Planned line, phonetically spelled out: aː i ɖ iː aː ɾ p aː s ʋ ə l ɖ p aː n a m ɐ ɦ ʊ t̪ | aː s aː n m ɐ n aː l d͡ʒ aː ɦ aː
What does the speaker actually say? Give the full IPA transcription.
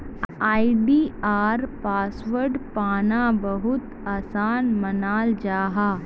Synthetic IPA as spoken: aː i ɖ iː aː ɾ p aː s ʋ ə ɾ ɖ p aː n a b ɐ ɦ ʊ t̪ | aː s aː n m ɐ n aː l d͡ʒ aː ɦ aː